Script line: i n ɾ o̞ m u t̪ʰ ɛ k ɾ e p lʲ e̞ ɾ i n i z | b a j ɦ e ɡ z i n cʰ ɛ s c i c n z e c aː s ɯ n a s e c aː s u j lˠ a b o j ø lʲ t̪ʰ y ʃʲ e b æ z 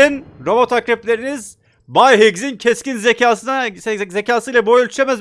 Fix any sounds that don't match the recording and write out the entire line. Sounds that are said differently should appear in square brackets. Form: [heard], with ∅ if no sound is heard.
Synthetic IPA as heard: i n ɾ o̞ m [o] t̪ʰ [a] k ɾ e p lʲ e̞ ɾ i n i z | b a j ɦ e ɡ z i n cʰ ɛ s c i [∅] n z e c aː s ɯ n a [z] e c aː s [ɯ] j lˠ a b o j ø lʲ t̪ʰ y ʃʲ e [m] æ z